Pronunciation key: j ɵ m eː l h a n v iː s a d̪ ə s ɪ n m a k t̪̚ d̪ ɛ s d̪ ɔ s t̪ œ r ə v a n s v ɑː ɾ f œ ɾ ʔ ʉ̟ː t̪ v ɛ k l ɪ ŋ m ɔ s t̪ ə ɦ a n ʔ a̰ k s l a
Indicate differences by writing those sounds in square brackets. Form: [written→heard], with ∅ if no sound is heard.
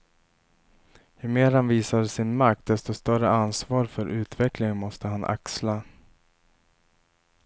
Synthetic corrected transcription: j ɵ m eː [l→ɾ] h a n v iː s a d̪ ə s ɪ n m a k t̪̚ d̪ ɛ s [d̪→t̪] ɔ s t̪ œ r ə [v→∅] a n s v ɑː ɾ f œ ɾ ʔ ʉ̟ː t̪ v ɛ k l ɪ ŋ m ɔ s t̪ ə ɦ a n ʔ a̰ k s l a